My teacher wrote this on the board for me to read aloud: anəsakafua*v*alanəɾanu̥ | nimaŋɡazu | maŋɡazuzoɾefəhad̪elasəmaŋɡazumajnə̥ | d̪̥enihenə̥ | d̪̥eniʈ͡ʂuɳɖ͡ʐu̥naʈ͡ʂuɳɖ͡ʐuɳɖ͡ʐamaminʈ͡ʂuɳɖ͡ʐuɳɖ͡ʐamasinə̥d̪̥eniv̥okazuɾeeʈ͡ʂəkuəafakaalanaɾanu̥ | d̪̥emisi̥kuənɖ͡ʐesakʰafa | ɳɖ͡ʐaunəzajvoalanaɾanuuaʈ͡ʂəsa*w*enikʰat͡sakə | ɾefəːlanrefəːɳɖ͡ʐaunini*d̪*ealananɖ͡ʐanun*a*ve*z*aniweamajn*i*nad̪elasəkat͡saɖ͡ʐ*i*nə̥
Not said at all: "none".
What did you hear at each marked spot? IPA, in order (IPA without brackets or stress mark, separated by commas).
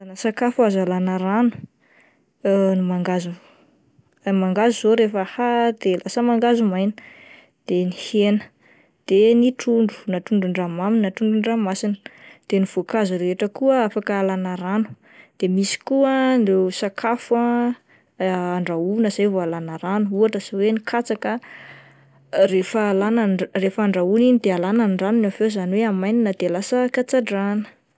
z, w, d̪, a, z, i, a